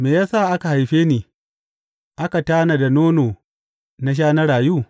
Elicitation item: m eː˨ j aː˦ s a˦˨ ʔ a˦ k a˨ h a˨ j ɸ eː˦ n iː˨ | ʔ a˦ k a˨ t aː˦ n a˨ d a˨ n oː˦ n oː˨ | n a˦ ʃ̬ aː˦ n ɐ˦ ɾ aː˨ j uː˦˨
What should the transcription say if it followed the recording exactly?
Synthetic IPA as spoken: m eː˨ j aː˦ s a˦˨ ʔ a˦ k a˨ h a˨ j ɸ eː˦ n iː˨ | ʔ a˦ k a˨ t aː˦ n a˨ d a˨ n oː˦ n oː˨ | n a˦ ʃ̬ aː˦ n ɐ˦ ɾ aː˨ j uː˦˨